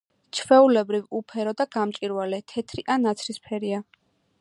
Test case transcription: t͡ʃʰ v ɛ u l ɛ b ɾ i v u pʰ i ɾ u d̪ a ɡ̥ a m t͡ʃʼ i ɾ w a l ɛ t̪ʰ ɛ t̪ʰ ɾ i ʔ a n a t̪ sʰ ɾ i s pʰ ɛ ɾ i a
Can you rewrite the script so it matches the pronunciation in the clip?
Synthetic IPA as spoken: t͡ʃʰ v ɛ u l ɛ b ɾ i v u pʰ ɛ ɾ ɔ d̪ a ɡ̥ a m t͡ʃʼ i ɾ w a l ɛ t̪ʰ ɛ t̪ʰ ɾ i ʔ a n a t̪ sʰ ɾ i s pʰ ɛ ɾ i a